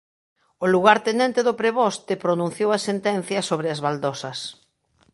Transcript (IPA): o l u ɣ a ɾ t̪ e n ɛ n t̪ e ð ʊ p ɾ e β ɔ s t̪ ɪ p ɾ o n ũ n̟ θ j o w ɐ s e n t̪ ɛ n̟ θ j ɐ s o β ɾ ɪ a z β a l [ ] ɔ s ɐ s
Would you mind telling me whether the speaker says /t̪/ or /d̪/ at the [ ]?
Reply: d̪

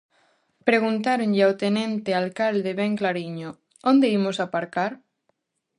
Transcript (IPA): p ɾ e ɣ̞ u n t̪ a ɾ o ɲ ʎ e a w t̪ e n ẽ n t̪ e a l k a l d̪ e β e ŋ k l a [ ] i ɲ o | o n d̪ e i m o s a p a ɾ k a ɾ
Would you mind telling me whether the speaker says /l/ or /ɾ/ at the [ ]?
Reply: ɾ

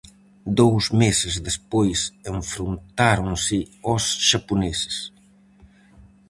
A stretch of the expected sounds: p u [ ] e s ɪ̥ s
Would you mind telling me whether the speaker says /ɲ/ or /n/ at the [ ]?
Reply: n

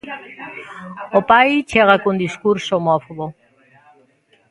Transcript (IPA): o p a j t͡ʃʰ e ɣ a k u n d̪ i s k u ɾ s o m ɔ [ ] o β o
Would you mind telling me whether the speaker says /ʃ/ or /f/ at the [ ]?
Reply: f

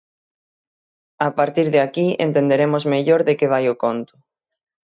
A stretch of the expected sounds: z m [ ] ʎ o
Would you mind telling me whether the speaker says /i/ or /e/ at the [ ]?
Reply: e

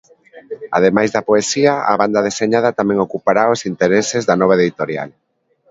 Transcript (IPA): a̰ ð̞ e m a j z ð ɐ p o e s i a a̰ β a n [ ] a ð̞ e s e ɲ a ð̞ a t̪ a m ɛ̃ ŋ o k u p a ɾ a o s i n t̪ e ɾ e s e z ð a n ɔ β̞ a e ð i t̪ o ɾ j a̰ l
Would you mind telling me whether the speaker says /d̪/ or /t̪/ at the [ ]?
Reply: d̪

